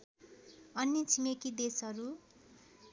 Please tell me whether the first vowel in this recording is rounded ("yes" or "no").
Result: no